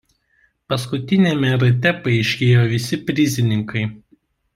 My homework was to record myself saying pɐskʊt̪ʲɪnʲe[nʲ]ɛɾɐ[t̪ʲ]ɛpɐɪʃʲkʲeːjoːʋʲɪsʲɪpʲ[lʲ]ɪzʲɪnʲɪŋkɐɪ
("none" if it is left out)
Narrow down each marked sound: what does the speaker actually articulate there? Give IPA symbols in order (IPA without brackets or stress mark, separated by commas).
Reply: mʲ, t̪ʲ, ɾʲ